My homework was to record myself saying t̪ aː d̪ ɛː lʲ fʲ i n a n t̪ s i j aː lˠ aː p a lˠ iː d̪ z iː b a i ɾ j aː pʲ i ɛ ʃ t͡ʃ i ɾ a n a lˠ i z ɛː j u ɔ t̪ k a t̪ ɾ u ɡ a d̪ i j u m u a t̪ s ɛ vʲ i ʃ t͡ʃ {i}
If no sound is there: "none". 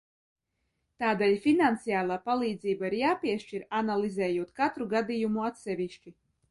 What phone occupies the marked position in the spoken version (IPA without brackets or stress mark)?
i